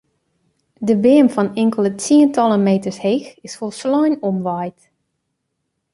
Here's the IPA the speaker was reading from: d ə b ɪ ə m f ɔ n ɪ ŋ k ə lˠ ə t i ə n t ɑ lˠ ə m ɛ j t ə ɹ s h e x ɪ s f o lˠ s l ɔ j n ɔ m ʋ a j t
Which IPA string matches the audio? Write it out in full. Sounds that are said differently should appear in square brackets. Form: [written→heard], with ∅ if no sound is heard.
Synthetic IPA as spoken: d ə b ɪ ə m f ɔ n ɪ ŋ k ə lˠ ə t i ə n t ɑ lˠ ə m [ɛ→e] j t ə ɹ s h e x ɪ s f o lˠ s l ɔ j n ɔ m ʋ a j t